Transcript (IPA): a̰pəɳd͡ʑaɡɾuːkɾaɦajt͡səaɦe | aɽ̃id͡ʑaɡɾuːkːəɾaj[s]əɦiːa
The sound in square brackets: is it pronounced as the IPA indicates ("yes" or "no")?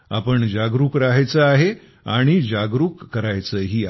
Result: no